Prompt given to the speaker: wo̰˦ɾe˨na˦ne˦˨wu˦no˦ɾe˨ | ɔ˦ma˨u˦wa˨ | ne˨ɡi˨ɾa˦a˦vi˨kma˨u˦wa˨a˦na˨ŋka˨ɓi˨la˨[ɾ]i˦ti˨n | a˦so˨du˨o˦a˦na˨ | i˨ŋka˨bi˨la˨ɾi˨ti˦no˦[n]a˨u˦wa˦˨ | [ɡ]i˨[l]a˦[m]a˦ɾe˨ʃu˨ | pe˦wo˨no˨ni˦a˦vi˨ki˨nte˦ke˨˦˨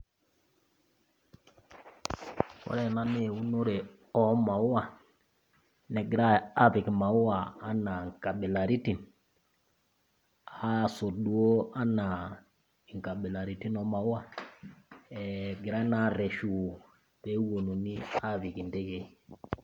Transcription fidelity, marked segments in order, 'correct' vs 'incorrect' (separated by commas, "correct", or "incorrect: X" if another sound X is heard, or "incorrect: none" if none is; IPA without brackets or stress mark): correct, incorrect: m, correct, incorrect: ɾ, incorrect: n